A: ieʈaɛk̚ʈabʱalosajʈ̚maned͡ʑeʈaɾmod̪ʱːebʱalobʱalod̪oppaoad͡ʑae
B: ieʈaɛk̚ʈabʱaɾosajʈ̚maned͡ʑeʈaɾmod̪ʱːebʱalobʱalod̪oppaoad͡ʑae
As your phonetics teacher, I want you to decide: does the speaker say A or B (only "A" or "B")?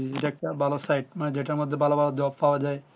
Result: A